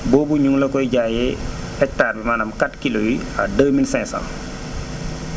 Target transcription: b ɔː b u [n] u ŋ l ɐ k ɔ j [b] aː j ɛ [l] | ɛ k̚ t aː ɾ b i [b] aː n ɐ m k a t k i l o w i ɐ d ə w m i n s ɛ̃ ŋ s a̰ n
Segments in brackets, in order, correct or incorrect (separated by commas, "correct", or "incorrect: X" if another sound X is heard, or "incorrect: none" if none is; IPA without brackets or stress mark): incorrect: ɲ, incorrect: ɟ, incorrect: none, incorrect: m